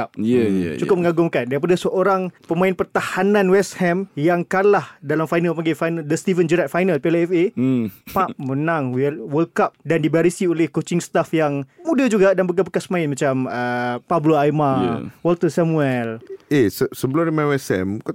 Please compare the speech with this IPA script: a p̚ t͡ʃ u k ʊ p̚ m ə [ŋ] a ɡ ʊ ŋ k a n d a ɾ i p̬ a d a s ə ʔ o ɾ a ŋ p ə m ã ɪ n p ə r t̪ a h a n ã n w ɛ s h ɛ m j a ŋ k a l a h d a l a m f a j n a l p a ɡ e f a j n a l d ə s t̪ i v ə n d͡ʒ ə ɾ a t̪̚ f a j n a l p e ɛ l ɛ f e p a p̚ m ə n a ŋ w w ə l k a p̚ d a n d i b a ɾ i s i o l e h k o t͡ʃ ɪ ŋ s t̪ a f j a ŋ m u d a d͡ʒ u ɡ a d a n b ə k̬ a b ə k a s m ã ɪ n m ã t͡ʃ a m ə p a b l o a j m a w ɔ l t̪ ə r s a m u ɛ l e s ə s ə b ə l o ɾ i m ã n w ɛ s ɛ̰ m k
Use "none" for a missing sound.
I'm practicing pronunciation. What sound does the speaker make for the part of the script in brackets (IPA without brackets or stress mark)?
ŋ